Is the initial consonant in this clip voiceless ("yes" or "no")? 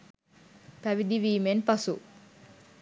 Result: yes